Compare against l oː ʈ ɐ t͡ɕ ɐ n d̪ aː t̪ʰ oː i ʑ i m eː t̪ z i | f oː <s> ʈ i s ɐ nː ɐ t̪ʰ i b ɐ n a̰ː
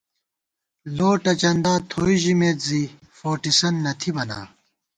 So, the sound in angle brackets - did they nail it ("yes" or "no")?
no